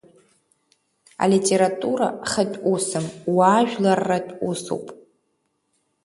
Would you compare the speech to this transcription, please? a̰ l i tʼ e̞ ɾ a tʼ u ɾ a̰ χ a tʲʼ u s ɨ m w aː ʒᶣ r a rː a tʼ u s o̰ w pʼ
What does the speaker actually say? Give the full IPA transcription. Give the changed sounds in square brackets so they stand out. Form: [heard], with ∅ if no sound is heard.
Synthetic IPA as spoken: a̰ l i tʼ e̞ ɾ a tʼ u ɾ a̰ χ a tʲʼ u s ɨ m w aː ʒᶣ [l] a rː a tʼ u s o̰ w pʼ